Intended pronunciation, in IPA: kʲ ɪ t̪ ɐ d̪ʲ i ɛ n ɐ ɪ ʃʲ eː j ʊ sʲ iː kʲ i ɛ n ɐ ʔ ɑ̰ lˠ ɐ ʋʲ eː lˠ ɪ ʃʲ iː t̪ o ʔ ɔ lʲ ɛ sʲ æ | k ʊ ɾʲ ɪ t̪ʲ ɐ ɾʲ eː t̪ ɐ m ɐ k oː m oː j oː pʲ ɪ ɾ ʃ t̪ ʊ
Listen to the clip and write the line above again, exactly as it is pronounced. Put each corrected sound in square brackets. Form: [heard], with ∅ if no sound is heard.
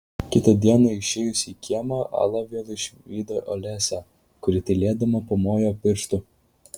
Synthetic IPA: kʲ ɪ t̪ ɐ d̪ʲ i ɛ n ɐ ɪ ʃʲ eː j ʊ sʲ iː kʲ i ɛ [m] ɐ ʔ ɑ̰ lˠ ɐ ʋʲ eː lˠ ɪ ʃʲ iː [d̪] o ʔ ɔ lʲ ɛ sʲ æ | k ʊ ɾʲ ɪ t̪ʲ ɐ [lʲ] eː [d̪] ɐ m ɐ [p] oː m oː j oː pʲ ɪ ɾ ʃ t̪ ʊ